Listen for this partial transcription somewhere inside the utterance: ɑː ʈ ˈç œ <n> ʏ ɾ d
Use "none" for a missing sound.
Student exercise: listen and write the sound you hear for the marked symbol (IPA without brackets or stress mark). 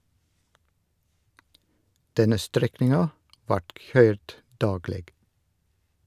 none